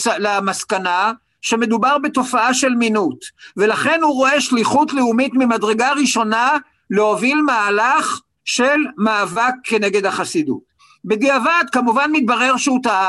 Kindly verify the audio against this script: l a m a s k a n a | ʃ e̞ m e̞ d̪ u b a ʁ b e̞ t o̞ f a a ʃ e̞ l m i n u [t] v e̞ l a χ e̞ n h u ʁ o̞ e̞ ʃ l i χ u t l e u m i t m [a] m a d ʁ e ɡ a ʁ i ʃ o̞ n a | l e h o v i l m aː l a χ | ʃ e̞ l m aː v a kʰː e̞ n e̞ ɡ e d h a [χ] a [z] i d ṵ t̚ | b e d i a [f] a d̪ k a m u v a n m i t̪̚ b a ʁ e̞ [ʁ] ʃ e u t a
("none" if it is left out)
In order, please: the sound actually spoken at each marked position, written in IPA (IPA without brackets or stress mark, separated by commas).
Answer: t, i, χ, s, v, ʁ